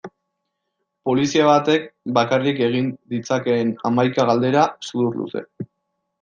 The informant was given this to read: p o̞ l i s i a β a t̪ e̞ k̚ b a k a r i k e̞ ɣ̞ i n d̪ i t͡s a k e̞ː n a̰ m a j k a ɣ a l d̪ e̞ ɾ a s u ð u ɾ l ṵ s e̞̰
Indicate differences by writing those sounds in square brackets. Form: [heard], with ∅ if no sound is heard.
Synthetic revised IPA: p o̞ l i s i a β a t̪ e̞ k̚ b a k a r i k e̞ ɣ̞ i n d̪ i t͡s a k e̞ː n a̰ m a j k a ɣ a l d̪ e̞ ɾ a s u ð u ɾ l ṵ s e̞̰